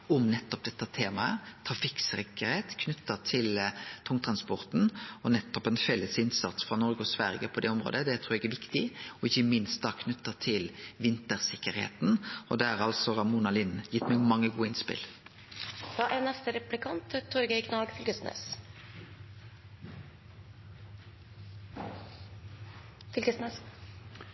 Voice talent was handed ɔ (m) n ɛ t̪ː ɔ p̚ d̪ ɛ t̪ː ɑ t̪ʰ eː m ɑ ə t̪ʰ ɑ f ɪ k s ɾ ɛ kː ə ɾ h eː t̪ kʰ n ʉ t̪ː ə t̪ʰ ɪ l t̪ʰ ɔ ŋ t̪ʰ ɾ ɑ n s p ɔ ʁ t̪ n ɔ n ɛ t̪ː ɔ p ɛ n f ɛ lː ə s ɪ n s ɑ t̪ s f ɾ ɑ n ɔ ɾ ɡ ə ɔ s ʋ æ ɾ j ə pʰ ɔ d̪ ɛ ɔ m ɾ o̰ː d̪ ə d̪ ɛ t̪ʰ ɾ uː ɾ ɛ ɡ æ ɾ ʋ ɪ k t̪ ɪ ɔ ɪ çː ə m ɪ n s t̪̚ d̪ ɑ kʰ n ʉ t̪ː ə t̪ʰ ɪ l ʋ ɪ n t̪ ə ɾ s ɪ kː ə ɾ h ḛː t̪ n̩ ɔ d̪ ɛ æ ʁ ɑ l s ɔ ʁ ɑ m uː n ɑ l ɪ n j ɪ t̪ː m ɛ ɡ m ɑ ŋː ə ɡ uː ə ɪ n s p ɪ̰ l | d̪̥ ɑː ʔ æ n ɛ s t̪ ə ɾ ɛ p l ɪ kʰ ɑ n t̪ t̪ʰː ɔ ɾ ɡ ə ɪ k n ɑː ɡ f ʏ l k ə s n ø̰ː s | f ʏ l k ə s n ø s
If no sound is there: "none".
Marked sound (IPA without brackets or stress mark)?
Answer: m